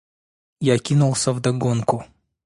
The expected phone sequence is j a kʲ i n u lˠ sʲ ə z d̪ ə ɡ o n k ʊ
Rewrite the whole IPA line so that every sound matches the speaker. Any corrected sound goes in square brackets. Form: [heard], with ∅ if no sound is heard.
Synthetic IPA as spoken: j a kʲ i n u lˠ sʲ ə [v] d̪ [ɐ] ɡ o n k ʊ